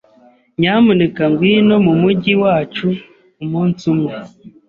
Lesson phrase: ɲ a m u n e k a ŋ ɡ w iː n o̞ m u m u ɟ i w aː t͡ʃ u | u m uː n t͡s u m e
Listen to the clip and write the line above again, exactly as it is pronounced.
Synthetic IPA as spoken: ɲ a m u n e k a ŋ ɡ w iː n o̞ m u m u ɟ i w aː t͡ʃ u | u m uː n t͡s u m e